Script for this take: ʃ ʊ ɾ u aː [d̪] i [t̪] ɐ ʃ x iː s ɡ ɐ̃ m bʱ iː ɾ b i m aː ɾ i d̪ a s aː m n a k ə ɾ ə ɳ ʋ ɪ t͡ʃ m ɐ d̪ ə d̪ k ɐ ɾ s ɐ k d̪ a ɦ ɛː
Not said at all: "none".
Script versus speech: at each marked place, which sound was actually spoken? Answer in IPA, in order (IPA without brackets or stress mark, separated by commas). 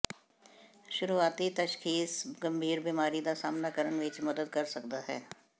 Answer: t̪, t̪